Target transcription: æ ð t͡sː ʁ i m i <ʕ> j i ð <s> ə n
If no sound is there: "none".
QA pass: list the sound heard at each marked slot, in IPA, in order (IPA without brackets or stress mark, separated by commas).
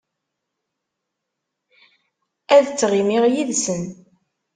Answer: ʁ, s